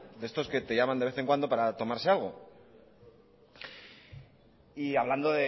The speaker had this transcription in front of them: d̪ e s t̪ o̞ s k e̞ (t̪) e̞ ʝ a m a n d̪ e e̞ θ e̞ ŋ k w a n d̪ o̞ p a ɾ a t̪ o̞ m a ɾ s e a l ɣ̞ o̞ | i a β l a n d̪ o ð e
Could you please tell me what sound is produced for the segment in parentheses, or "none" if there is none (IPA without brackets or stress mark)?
t̪